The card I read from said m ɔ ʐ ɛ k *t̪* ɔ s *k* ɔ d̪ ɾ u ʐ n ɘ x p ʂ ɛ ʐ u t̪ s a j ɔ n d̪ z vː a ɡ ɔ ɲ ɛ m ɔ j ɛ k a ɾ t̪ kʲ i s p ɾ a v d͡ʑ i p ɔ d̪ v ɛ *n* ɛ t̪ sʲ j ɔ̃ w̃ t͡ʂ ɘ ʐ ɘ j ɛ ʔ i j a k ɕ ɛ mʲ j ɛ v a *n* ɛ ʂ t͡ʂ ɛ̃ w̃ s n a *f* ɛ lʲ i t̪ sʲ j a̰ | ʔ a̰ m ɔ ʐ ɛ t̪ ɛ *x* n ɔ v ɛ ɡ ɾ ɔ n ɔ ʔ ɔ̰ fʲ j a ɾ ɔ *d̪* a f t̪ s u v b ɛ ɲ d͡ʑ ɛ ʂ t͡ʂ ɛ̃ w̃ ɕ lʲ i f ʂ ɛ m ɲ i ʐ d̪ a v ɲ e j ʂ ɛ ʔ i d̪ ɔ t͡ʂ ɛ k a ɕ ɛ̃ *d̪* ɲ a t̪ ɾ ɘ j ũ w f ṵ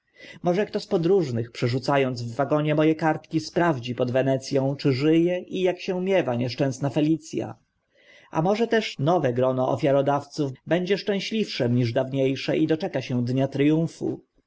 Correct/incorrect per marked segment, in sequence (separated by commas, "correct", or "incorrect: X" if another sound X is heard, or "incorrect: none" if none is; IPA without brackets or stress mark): correct, incorrect: p, correct, incorrect: ɲ, correct, incorrect: ʂ, correct, correct